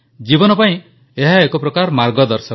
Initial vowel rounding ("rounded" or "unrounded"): unrounded